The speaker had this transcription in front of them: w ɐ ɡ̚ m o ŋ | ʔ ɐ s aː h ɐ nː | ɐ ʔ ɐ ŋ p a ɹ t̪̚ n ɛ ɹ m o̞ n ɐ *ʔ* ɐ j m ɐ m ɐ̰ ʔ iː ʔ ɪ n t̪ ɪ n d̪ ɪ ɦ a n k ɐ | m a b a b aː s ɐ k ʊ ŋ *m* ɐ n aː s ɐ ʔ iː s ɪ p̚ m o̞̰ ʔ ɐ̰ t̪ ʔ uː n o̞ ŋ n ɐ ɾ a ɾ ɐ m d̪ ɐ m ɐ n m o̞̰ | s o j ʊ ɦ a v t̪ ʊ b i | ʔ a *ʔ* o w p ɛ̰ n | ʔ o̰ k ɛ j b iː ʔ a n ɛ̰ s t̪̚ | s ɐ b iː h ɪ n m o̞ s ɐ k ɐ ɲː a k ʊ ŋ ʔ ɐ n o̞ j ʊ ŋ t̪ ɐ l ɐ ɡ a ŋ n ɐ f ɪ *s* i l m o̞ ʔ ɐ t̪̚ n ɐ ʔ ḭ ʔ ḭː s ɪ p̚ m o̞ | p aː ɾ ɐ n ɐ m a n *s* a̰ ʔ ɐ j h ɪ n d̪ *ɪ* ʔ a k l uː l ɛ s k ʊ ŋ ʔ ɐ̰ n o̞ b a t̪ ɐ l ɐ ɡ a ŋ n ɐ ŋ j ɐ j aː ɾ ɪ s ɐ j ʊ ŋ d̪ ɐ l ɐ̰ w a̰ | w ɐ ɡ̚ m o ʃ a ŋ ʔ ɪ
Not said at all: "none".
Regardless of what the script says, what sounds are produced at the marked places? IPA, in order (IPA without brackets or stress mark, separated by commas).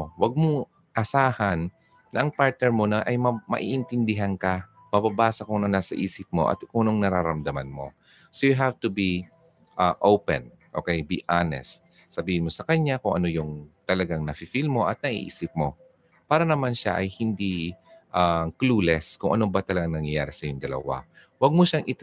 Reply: ʔ, n, ʔ, f, ʃ, i